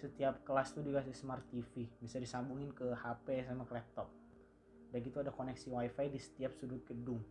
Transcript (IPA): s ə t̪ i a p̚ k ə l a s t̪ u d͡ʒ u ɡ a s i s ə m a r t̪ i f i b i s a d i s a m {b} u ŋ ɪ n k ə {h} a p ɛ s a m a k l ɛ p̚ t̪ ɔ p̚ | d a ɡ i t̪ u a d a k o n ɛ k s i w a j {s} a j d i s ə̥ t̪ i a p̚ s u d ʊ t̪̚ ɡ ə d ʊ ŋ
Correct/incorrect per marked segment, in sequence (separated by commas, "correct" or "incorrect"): correct, correct, incorrect